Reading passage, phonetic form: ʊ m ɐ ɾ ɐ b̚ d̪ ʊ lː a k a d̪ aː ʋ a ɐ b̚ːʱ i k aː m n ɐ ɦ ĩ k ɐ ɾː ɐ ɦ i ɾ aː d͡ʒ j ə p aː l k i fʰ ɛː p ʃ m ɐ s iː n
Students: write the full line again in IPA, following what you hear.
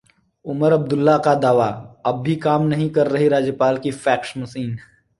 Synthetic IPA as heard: ʊ m ə ɾ ɐ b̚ d̪ ʊ lː a k a d̪ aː ʋ a ɐ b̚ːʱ i k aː m n ɐ ɦ ĩ k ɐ ɾː ɐ ɦ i ɾ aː d͡ʒ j ə p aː l k i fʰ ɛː k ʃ m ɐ s iː n